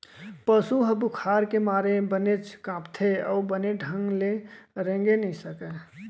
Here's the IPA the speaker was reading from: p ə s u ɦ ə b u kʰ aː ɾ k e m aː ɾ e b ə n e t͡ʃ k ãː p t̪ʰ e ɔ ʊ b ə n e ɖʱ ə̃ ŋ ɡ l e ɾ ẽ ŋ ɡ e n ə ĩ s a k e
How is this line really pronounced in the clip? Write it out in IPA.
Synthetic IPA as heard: p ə s u ɦ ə b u kʰ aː ɾ k e m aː ɾ e b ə n e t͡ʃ k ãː p t̪ʰ e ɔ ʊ b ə n e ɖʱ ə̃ ŋ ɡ l e ɾ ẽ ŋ ɡ e n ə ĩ s ə k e